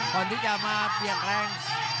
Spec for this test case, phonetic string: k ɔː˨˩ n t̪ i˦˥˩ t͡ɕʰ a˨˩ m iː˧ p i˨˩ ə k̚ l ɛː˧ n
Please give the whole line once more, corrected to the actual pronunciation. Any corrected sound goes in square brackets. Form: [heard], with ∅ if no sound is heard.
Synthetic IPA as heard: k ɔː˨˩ n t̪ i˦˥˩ [t͡ɕ] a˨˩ m [aː˧] p i˨˩ ə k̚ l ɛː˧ [ŋ]